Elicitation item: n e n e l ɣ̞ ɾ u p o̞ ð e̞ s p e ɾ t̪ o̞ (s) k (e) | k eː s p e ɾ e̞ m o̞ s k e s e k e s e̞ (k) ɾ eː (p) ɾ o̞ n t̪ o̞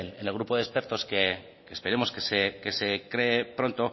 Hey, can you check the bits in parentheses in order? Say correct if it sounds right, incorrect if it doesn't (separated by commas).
correct, correct, correct, correct